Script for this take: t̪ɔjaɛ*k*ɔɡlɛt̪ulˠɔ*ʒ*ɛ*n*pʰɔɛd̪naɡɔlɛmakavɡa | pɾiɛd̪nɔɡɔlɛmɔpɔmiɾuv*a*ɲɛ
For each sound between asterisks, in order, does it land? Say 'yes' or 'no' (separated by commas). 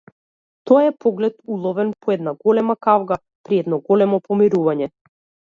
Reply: no, no, yes, yes